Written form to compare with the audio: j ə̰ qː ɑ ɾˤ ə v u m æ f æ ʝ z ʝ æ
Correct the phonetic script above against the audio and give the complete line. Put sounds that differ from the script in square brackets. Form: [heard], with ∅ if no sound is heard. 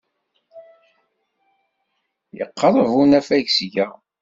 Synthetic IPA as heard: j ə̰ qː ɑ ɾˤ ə v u [n] æ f æ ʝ [s] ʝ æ